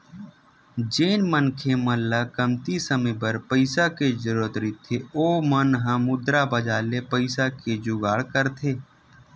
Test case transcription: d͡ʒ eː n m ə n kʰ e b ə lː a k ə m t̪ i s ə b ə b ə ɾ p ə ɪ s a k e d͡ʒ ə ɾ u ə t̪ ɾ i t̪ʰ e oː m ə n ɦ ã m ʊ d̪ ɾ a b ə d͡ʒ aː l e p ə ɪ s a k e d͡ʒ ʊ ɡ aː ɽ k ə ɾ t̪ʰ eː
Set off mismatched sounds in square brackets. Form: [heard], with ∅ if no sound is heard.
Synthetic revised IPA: d͡ʒ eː n m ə n kʰ e [m] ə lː a k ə m t̪ i s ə [m] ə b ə ɾ p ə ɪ s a k e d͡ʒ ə ɾ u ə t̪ ɾ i t̪ʰ e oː m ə n ɦ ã m ʊ d̪ ɾ a b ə d͡ʒ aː l e p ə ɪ s a k e d͡ʒ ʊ ɡ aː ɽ k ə ɾ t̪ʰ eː